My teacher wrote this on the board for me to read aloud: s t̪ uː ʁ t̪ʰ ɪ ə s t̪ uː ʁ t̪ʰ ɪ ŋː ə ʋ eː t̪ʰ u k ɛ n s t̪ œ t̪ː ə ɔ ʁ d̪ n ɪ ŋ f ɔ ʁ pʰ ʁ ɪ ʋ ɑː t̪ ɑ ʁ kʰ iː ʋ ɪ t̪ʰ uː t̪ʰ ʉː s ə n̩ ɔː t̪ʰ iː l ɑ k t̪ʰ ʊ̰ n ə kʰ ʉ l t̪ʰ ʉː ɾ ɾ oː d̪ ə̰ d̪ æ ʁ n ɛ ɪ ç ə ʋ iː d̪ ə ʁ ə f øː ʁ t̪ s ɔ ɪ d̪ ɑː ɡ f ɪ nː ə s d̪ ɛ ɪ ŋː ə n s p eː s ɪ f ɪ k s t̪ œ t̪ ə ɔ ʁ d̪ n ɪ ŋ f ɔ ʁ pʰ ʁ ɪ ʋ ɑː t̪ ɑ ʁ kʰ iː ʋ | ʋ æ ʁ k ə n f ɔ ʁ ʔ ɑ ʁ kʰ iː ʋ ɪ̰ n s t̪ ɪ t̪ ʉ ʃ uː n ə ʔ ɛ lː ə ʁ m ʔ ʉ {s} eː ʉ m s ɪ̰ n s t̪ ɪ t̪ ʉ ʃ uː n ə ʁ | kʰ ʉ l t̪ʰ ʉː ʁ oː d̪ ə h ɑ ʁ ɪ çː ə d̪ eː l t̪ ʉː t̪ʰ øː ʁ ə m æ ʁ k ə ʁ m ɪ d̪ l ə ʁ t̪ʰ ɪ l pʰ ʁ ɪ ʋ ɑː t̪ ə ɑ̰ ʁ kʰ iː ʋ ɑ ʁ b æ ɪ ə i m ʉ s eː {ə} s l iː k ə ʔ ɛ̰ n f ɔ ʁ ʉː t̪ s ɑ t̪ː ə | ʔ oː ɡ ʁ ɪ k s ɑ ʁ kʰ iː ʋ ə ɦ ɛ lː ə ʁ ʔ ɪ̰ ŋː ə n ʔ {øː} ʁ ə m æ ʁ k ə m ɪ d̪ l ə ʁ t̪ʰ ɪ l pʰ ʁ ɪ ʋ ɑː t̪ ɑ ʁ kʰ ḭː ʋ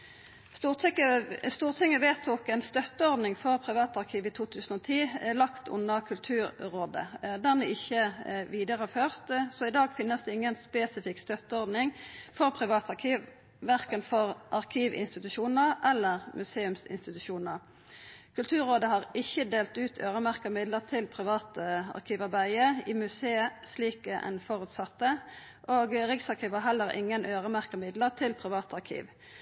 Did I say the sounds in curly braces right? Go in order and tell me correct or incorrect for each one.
correct, correct, correct

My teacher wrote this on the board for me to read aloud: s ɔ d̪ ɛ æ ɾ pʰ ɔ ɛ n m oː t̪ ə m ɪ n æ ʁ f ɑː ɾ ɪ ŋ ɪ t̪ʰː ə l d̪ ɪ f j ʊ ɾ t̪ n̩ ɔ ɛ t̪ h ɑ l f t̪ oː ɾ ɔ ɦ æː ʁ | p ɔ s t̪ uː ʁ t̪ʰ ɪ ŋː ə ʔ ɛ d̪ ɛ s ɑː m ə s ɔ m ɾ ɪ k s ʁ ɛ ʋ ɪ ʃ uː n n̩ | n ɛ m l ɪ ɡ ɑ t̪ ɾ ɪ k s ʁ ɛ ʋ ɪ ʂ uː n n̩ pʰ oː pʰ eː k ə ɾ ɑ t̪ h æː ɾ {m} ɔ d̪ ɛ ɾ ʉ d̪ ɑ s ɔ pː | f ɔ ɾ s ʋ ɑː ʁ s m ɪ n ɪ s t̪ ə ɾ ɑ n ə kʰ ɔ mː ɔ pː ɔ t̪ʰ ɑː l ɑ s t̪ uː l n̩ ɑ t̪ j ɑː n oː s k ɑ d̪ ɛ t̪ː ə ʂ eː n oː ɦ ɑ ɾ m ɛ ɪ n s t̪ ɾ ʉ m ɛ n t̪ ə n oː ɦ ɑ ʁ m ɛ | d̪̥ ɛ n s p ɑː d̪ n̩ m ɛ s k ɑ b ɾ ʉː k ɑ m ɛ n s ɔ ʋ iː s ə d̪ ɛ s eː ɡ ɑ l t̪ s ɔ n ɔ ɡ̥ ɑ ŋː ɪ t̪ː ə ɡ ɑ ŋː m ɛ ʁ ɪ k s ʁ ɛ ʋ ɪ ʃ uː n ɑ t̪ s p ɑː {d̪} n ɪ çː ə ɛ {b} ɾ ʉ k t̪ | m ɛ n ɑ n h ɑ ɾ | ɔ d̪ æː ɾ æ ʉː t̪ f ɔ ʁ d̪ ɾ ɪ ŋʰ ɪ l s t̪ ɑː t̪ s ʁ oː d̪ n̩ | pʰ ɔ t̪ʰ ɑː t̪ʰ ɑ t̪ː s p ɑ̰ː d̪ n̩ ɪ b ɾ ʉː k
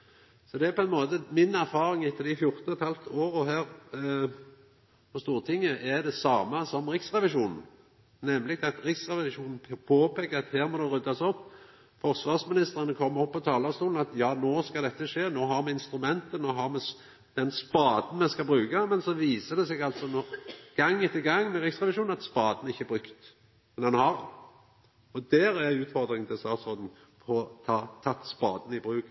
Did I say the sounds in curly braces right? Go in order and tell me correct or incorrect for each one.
correct, correct, correct

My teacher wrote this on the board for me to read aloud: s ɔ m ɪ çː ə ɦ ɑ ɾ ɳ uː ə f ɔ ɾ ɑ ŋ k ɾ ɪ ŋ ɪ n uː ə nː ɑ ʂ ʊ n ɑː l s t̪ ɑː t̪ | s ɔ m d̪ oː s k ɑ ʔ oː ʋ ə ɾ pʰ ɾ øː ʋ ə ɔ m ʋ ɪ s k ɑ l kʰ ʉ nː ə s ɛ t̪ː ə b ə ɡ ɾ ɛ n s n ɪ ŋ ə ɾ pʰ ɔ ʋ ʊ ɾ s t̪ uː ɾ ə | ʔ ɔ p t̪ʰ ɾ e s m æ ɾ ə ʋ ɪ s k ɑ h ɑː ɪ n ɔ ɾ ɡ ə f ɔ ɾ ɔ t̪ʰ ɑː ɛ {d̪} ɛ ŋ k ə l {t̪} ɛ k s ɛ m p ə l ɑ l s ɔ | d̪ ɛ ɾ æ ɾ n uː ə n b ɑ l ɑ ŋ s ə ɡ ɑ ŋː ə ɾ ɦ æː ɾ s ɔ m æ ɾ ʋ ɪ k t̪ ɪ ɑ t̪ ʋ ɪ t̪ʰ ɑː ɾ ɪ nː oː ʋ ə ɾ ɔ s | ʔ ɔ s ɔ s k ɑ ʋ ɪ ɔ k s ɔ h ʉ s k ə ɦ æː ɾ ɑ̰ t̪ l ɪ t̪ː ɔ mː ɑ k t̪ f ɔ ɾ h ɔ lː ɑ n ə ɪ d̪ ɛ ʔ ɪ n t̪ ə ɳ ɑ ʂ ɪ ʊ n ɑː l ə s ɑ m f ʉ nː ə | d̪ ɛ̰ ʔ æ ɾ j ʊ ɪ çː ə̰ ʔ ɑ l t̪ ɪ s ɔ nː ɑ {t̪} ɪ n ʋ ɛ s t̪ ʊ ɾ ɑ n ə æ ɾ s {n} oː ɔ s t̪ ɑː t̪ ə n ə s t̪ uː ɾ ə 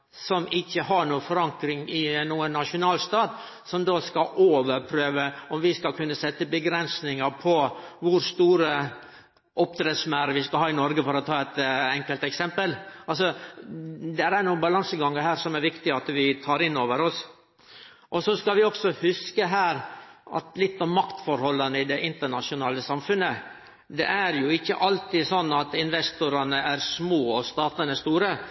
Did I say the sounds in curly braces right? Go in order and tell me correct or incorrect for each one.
incorrect: t̪, correct, correct, incorrect: m

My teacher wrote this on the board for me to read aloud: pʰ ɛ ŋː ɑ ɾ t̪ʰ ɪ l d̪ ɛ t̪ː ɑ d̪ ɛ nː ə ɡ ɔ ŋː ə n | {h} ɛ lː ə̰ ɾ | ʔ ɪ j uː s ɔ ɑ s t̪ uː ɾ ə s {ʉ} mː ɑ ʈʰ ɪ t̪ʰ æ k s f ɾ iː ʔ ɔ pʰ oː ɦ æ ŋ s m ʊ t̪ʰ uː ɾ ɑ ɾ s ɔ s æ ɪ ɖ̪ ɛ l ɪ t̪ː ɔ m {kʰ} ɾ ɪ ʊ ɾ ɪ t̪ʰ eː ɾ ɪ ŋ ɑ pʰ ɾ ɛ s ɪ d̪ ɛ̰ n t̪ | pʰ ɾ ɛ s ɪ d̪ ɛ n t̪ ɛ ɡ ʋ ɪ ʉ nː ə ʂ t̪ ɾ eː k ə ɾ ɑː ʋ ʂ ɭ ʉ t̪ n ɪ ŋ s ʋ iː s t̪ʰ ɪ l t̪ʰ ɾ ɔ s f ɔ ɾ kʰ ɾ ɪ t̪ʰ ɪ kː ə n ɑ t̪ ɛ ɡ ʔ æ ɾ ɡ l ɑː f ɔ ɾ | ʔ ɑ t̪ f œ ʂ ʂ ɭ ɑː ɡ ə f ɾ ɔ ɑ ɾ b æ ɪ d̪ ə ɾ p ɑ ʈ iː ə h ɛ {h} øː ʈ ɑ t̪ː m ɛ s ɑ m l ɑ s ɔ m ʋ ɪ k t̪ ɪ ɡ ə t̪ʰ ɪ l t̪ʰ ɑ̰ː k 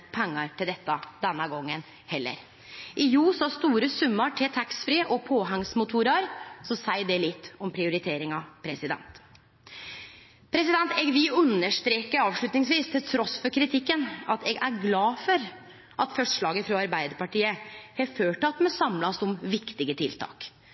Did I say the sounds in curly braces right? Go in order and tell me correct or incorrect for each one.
correct, correct, incorrect: pʰ, incorrect: f

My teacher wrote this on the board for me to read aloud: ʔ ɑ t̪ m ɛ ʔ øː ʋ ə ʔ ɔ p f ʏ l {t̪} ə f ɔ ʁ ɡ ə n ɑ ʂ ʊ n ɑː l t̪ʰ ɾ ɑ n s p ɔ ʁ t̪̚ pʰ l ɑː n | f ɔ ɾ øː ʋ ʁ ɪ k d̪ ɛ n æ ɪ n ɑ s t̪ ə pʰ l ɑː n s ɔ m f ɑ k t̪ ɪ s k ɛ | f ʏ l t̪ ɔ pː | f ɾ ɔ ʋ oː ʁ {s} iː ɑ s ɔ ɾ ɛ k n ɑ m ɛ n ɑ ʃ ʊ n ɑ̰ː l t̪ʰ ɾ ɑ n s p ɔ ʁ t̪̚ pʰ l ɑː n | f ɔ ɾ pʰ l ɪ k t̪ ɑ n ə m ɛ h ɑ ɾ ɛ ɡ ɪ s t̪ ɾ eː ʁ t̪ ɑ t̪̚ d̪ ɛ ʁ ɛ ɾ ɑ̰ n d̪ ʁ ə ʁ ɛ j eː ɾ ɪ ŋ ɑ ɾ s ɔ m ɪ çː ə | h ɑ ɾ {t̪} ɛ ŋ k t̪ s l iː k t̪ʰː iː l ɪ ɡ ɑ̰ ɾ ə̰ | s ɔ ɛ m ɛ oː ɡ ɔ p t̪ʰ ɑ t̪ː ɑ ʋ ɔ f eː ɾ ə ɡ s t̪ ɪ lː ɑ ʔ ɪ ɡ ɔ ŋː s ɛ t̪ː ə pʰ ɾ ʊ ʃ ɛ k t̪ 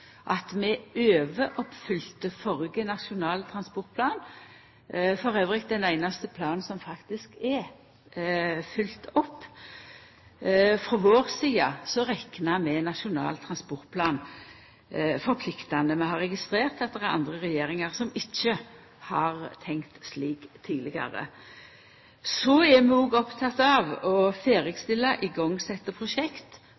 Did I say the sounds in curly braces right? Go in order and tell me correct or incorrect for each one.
correct, correct, incorrect: t̪ʰ

